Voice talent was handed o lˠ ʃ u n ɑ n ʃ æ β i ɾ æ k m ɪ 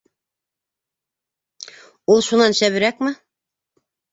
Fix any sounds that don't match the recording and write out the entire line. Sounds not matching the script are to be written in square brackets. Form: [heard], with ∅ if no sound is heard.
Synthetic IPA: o lˠ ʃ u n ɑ n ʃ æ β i ɾ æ k m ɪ